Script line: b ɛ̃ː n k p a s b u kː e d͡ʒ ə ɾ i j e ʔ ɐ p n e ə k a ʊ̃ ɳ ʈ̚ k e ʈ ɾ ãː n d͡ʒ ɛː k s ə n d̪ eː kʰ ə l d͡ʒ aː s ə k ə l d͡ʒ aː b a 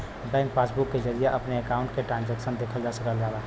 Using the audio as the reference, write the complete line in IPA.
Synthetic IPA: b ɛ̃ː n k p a s b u kː e d͡ʒ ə ɾ i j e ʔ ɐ p n e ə k a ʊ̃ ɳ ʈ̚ k e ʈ ɾ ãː n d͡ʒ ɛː k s ə n d̪ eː kʰ ə l d͡ʒ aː s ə k ə l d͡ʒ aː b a

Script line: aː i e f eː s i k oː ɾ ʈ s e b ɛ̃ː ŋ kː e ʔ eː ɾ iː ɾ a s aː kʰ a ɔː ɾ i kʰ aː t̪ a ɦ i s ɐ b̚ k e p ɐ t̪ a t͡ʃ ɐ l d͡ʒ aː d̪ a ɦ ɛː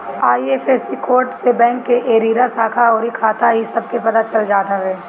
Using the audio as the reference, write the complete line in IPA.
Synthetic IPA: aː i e f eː s i k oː ɾ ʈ s e b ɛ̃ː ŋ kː e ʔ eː ɾ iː ɾ a s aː kʰ a ɔː ɾ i kʰ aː t̪ a ɦ i s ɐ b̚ k e p ɐ t̪ a t͡ʃ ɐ l d͡ʒ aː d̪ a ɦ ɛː

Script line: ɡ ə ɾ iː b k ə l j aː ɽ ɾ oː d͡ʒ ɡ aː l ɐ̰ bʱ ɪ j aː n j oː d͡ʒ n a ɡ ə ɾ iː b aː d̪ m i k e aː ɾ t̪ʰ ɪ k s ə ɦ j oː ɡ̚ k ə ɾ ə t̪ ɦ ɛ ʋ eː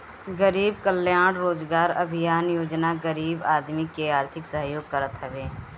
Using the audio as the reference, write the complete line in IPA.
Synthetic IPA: ɡ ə ɾ iː b k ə l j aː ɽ ɾ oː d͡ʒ ɡ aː ɾ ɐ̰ bʱ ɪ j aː n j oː d͡ʒ n a ɡ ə ɾ iː b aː d̪ m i k e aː ɾ t̪ʰ ɪ k s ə ɦ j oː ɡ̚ k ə ɾ ə t̪ ɦ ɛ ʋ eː

